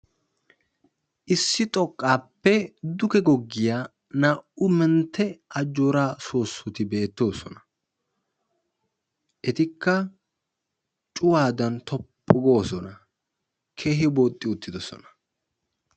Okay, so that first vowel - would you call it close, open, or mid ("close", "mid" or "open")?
close